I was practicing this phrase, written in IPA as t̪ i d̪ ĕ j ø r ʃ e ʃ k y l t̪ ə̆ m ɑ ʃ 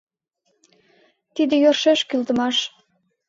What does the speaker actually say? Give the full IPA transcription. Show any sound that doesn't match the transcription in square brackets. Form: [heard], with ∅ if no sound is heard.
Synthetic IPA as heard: t̪ i d̪ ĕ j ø r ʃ e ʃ k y l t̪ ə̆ m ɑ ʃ